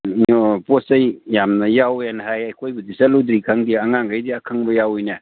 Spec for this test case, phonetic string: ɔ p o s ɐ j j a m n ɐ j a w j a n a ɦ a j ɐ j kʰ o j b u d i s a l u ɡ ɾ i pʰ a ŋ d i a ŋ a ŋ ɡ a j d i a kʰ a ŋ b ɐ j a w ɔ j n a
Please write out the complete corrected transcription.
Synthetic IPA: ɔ p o s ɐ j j a m n ɐ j a w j a n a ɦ a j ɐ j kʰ o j b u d i s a l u d ɾ i kʰ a ŋ d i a ŋ a ŋ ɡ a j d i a kʰ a ŋ b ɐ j a w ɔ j n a